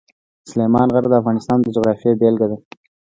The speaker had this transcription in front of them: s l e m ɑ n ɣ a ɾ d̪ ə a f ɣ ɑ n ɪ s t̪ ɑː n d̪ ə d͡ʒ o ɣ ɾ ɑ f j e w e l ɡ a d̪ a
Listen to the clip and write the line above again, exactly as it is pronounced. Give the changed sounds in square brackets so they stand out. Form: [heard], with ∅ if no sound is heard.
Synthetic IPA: s l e m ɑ n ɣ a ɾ d̪ ə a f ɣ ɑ n ɪ s t̪ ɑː n d̪ ə d͡ʒ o ɣ ɾ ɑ f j e [b] e l ɡ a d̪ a